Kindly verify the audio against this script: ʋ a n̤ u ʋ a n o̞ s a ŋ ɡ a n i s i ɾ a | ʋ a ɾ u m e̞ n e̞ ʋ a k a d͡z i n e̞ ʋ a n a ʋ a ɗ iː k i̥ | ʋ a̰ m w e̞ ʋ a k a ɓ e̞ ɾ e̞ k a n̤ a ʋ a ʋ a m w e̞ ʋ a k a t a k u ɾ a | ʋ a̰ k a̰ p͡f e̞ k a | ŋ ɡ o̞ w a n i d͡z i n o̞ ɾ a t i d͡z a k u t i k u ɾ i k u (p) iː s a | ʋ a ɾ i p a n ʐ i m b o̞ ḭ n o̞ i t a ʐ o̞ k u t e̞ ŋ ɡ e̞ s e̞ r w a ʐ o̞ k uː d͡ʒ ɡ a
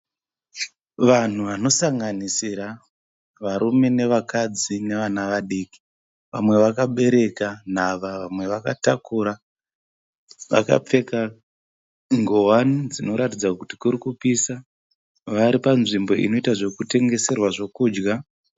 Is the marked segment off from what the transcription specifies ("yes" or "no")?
no